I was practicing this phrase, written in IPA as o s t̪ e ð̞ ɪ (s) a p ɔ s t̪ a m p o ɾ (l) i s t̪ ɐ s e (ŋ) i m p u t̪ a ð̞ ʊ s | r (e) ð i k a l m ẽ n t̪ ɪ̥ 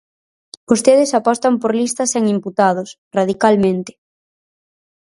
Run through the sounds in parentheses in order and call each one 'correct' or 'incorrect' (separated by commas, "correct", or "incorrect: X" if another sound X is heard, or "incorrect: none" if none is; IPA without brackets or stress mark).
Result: correct, correct, correct, incorrect: a